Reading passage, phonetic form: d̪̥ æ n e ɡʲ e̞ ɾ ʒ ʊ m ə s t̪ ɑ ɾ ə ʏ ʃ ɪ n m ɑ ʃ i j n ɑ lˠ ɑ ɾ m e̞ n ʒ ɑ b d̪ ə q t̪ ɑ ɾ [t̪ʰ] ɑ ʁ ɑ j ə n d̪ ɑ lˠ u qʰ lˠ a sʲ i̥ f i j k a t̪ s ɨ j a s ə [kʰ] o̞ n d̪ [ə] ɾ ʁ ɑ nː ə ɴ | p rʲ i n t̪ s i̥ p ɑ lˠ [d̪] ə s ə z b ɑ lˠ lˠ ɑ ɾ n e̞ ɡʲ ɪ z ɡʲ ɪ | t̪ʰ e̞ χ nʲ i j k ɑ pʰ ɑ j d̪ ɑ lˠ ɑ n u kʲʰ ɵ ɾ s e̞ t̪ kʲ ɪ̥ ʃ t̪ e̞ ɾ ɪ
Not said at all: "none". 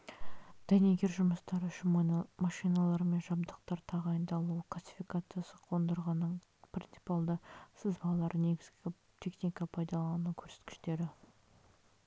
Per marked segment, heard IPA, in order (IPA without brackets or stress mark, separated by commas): t̪ʰ, qʰ, ə, d̪